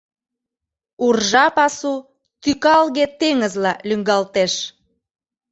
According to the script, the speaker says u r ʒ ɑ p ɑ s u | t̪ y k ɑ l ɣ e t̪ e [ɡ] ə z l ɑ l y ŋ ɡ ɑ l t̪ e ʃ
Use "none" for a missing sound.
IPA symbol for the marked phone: ŋ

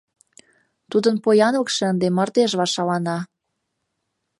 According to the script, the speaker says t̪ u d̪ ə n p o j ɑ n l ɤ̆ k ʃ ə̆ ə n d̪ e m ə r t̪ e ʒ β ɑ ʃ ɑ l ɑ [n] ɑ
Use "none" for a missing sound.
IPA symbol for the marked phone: n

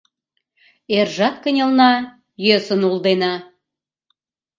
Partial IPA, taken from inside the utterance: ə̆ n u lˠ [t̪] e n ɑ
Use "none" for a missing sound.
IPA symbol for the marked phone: d̪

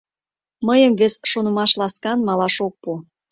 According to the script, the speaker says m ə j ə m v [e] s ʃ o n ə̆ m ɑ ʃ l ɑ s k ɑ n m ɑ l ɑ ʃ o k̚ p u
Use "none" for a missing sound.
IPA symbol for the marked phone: e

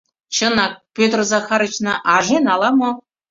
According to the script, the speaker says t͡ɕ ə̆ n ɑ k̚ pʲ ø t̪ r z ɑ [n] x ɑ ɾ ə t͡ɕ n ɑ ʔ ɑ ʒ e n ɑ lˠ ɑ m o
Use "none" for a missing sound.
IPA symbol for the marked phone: none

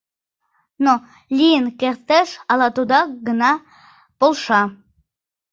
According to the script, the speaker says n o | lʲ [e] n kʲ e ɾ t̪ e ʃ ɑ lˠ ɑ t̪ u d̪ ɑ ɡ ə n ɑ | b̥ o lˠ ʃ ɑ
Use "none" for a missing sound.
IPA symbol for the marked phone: i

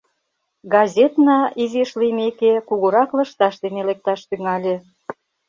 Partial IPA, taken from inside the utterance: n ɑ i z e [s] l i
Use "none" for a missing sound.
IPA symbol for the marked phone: ʃ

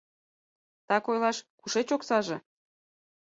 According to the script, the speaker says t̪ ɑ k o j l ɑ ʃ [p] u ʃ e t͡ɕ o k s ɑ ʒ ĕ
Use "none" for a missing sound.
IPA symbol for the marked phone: k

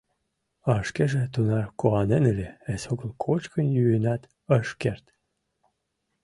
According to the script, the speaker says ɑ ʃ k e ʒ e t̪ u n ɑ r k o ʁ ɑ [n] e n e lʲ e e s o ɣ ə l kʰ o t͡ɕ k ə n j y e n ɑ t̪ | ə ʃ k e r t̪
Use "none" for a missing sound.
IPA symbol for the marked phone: n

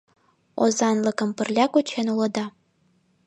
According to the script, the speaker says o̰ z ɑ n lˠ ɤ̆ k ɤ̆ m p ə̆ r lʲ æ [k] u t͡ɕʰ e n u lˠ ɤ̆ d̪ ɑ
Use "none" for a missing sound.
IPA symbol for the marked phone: k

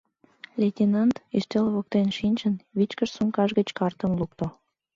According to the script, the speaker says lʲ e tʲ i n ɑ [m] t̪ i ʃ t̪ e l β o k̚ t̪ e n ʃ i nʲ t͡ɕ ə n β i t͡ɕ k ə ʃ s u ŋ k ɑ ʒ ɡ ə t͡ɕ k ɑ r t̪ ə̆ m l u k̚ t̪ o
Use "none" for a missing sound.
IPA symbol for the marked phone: n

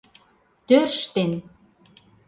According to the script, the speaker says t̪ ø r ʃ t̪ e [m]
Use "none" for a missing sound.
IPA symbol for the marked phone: n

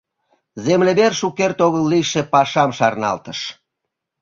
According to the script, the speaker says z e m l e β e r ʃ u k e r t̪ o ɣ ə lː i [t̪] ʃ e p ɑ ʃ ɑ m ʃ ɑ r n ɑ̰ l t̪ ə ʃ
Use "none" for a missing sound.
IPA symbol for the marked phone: none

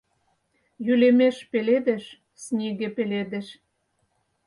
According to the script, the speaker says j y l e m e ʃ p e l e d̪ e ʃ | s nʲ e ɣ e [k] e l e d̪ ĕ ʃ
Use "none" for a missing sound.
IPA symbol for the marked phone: p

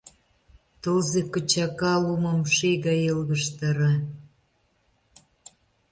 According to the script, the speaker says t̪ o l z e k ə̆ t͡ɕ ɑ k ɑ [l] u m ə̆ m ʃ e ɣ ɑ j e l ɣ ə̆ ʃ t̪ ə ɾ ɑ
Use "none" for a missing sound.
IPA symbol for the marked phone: l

